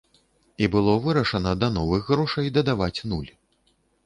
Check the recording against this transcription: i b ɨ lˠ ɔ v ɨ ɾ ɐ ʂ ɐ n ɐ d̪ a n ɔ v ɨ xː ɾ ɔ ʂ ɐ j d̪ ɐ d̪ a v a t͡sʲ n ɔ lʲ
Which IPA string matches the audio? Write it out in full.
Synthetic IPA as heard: i b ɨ lˠ ɔ v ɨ ɾ ɐ ʂ ɐ n ɐ d̪ ɐ n ɔ v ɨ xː ɾ ɔ ʂ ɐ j d̪ ɐ d̪ a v a t͡sʲ n u lʲ